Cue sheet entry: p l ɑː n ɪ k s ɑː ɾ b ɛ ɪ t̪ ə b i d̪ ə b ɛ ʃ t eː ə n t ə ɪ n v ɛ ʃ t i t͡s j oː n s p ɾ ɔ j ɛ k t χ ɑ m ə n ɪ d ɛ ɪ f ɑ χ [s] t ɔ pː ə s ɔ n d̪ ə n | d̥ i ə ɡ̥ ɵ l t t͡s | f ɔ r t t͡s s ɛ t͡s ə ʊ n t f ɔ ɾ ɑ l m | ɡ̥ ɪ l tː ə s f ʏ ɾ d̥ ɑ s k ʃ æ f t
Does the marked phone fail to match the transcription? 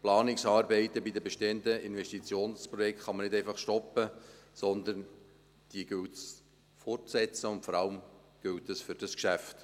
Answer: yes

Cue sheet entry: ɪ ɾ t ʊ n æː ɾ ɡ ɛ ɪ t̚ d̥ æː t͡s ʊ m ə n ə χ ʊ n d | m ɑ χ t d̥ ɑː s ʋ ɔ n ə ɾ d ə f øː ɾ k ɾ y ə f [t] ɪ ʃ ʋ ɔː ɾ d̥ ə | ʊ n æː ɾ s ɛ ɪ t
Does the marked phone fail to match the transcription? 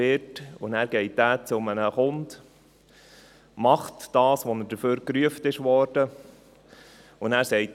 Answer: no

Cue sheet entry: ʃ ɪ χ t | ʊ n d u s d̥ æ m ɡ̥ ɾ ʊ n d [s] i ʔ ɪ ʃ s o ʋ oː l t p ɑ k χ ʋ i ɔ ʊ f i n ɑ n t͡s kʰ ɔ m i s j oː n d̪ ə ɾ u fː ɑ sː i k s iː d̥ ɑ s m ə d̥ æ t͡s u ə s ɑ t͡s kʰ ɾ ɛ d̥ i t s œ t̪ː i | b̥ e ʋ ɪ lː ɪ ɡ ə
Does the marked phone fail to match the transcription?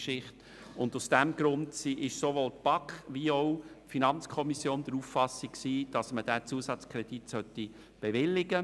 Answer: no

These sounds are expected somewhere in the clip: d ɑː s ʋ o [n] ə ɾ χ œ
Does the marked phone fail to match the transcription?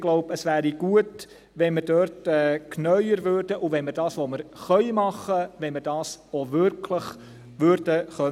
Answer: yes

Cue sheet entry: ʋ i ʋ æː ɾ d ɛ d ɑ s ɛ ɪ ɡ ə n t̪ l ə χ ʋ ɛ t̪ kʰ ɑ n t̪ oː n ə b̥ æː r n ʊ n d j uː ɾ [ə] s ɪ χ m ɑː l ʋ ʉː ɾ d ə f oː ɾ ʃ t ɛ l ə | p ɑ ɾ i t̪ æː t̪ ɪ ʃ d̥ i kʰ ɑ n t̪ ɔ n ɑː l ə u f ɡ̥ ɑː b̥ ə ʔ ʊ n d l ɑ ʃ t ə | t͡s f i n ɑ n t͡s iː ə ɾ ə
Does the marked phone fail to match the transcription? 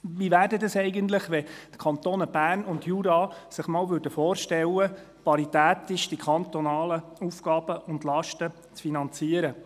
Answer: yes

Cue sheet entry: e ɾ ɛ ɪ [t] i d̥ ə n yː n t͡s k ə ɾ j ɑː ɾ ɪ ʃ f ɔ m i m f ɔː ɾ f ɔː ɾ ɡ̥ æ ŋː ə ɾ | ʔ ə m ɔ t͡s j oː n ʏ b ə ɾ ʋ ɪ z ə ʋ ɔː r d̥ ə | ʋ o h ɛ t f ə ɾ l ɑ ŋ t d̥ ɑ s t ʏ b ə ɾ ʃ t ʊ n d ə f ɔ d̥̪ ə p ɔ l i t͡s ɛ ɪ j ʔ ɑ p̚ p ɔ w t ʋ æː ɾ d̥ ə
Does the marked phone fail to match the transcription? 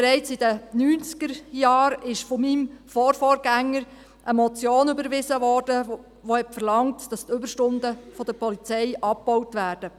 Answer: yes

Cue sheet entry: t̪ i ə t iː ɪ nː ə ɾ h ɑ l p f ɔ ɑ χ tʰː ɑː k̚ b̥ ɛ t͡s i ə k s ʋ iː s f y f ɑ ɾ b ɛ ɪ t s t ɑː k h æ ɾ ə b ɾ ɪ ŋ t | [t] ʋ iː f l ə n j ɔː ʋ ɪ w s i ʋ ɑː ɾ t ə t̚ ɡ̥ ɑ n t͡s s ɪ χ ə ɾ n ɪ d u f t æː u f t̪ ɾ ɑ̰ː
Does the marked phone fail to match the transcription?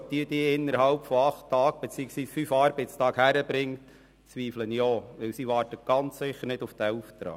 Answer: yes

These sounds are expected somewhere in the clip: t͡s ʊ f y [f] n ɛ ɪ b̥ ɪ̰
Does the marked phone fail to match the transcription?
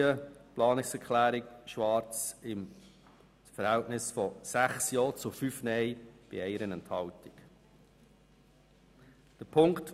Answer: no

